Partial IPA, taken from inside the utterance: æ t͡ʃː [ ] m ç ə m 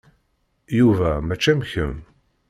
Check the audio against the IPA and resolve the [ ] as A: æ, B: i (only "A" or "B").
A